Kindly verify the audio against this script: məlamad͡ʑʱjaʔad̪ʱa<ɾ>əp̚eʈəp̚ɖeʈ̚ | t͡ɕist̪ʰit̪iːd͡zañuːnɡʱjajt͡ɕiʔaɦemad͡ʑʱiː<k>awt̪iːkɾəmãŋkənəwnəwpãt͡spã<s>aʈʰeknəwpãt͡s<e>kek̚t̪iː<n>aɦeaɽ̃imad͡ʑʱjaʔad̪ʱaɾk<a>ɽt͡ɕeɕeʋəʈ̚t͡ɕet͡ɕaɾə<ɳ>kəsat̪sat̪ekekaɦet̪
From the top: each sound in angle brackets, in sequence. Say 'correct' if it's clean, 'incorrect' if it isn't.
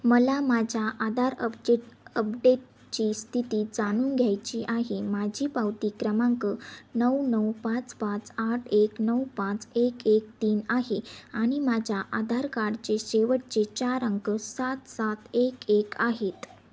correct, incorrect: p, incorrect: t͡s, correct, correct, correct, incorrect: ŋ

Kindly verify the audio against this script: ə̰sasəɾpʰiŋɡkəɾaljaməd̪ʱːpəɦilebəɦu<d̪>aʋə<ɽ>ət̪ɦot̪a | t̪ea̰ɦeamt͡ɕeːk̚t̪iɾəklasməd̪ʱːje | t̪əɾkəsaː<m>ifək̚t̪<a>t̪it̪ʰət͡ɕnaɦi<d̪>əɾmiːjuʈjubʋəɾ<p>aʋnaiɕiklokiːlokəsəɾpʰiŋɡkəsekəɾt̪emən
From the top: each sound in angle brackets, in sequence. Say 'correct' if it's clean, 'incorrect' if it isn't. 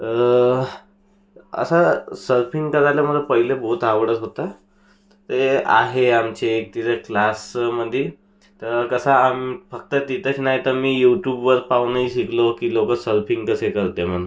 incorrect: t̪, correct, correct, incorrect: ə, incorrect: t̪, correct

